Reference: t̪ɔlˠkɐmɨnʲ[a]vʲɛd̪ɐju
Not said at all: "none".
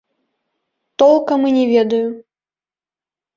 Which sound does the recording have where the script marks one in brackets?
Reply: ɛ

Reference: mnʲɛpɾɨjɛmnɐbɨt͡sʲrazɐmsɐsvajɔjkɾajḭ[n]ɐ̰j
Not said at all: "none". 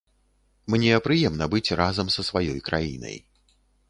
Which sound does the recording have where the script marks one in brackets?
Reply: n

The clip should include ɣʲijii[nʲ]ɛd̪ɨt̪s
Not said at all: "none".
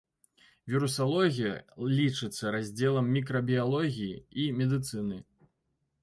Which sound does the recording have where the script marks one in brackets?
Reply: mʲ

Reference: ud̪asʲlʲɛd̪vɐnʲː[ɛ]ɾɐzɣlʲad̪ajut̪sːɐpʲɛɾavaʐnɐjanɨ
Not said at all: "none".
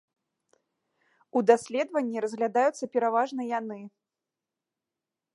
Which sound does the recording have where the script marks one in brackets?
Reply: i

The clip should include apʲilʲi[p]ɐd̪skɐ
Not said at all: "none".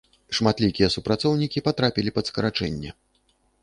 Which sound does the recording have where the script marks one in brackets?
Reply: p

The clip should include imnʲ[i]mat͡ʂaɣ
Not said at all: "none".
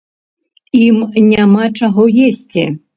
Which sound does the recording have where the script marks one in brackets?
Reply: a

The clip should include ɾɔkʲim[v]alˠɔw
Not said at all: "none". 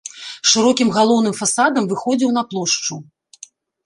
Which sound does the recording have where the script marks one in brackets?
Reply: ɣ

